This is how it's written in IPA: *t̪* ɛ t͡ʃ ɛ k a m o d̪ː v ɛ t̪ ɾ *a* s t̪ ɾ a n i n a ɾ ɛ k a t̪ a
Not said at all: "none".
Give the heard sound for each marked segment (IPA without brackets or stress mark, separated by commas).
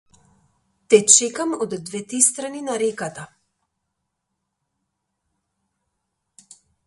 t̪, i